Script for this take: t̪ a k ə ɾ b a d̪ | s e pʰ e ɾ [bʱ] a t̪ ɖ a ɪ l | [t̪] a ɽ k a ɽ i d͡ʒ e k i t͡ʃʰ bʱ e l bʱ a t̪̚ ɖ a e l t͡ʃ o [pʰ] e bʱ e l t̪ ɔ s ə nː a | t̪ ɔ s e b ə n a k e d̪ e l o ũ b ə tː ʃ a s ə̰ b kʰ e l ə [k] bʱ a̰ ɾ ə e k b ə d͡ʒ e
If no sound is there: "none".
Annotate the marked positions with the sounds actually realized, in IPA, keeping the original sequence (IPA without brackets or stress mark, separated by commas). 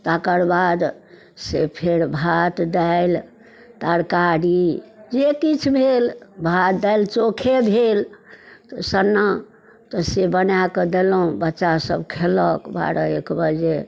bʱ, t̪, kʰ, k